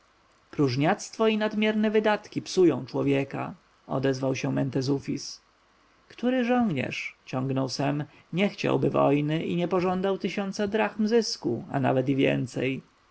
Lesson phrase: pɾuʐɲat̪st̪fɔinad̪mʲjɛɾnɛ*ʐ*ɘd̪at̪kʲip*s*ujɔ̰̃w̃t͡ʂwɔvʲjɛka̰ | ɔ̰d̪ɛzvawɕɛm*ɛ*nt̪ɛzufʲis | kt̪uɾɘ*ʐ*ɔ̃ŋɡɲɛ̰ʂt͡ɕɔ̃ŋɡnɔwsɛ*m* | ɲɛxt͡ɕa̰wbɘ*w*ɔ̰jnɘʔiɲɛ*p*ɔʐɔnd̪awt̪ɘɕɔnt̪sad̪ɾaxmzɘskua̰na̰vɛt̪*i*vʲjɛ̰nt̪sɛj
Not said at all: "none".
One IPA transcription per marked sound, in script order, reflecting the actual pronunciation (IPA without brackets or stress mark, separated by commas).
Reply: v, s, ɛ, ʐ, m, v, p, i